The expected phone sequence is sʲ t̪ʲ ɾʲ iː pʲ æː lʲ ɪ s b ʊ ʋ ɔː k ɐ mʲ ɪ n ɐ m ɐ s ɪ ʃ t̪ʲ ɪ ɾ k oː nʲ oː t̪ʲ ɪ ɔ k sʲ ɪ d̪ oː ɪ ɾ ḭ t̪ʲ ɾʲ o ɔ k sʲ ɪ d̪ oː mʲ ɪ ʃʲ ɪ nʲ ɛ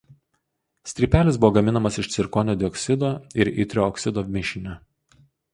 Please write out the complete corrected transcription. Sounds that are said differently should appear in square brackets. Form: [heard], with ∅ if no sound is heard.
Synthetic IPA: sʲ t̪ʲ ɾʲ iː pʲ æː lʲ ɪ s b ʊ ʋ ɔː [ɡ] ɐ mʲ ɪ n ɐ m ɐ s ɪ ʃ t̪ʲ ɪ ɾ k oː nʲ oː [d̪ʲ] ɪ ɔ k sʲ ɪ d̪ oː ɪ ɾ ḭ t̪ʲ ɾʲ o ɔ k sʲ ɪ d̪ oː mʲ ɪ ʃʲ ɪ nʲ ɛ